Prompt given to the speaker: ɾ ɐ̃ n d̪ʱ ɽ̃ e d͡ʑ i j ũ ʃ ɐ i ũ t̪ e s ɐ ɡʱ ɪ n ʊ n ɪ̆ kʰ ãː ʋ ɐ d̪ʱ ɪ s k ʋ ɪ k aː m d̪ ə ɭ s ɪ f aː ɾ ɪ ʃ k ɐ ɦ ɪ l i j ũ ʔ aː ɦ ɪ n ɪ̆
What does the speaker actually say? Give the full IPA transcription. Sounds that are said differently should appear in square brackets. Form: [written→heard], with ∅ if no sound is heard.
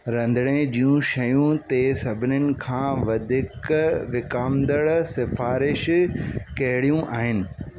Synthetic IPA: ɾ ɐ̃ n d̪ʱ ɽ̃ e d͡ʑ i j ũ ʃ ɐ [i→j] ũ t̪ e s ɐ [ɡʱ→bʱ] ɪ n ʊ n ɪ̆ kʰ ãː ʋ ɐ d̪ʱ ɪ [s→∅] k ʋ ɪ k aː m d̪ ə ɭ s ɪ f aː ɾ ɪ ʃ k ɐ ɦ ɪ [l→ɽ] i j ũ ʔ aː ɦ ɪ n ɪ̆